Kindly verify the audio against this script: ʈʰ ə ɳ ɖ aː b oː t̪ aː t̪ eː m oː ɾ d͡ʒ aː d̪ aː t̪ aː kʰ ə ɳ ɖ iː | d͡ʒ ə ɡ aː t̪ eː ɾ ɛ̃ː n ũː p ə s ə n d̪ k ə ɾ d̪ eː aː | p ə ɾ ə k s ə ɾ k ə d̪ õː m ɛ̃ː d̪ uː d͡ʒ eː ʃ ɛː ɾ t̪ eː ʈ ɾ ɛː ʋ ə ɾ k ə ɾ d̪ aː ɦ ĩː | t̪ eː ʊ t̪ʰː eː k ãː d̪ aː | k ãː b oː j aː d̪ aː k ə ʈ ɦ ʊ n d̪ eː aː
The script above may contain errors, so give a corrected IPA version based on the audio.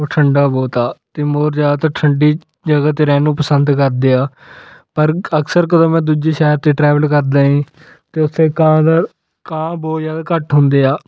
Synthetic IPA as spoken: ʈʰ ə ɳ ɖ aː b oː t̪ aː t̪ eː m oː ɾ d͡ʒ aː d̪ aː t̪ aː ʈʰ ə ɳ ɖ iː | d͡ʒ ə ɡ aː t̪ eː ɾ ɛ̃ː n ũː p ə s ə n d̪ k ə ɾ d̪ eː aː | p ə ɾ ə k s ə ɾ k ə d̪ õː m ɛ̃ː d̪ uː d͡ʒ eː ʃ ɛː ɾ t̪ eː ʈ ɾ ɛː ʋ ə l k ə ɾ d̪ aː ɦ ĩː | t̪ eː ʊ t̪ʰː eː k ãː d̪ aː | k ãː b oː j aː d̪ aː k ə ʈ ɦ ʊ n d̪ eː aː